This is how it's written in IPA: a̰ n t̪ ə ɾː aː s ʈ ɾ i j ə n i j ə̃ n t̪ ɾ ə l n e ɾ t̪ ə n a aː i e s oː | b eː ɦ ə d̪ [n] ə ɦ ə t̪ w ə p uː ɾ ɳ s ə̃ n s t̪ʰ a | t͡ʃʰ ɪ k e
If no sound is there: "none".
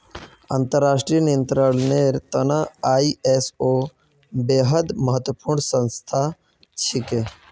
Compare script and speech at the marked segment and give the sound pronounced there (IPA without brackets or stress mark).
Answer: m